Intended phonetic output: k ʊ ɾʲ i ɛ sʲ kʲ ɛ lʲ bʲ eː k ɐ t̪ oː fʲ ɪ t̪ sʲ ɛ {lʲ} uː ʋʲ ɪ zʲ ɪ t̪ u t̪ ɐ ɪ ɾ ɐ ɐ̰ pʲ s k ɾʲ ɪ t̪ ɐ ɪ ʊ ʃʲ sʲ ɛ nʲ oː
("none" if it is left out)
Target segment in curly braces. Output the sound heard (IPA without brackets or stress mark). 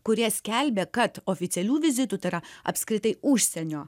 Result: lʲ